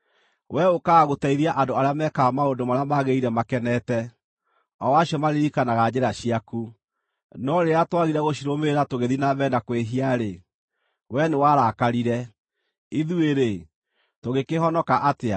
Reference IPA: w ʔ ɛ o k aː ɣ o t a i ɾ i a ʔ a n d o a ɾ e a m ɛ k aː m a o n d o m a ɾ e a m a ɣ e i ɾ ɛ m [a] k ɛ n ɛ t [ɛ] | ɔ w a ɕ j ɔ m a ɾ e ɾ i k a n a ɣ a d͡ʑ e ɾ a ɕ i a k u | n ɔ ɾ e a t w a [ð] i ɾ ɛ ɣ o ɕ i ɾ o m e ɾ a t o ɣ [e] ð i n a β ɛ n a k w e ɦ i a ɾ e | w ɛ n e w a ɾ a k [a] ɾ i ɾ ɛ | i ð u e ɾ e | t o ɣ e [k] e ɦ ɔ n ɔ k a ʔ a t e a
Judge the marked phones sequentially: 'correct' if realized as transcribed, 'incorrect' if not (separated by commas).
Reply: correct, correct, incorrect, correct, correct, correct